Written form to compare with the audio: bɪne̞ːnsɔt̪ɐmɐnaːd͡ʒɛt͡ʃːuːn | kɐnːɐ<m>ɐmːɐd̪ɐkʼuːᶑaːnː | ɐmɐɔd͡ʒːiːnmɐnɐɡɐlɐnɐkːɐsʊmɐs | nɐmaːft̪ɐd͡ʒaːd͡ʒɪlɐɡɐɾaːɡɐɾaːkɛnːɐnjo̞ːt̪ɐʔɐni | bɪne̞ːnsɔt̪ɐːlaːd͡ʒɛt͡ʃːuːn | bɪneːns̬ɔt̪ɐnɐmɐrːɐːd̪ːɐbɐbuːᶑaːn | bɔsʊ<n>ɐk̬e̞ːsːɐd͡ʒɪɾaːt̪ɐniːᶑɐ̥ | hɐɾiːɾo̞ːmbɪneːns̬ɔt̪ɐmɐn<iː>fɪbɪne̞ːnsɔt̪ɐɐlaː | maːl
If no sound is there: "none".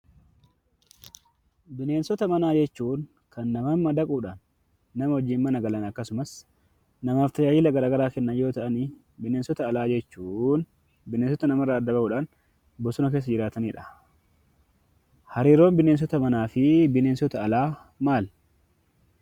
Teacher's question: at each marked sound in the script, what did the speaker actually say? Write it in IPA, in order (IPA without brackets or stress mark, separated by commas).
m, n, aː